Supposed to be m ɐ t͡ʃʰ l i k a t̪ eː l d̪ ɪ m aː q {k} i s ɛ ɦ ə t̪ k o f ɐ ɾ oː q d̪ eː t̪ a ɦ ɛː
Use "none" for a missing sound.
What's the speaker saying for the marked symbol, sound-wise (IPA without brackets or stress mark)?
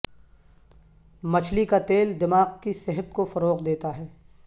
k